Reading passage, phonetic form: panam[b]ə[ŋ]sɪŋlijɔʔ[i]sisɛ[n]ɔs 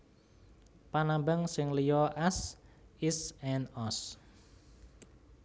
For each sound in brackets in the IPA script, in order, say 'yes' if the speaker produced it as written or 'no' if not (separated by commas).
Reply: yes, yes, no, yes